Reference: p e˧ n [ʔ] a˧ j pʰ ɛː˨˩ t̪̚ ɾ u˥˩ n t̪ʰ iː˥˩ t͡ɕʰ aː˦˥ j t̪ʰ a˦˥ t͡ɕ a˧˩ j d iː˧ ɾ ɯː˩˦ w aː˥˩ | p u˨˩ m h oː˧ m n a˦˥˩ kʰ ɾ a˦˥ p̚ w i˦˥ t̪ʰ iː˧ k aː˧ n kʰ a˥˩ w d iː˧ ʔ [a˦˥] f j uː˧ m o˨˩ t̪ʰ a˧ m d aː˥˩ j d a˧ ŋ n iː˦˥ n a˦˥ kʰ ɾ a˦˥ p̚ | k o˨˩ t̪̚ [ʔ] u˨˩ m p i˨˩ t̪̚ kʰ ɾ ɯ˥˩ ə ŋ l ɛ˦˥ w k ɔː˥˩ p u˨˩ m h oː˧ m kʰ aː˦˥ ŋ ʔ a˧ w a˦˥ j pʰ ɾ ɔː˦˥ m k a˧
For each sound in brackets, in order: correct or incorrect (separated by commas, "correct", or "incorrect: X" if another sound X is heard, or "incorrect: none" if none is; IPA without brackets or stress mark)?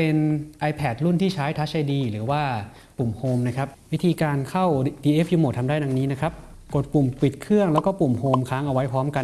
correct, incorrect: e˦˥, incorrect: p